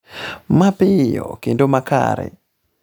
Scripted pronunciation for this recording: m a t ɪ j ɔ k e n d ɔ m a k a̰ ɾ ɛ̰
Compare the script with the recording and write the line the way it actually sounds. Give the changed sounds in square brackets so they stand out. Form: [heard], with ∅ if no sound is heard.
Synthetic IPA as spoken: m a [p] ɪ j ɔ k e n d [o] m a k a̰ ɾ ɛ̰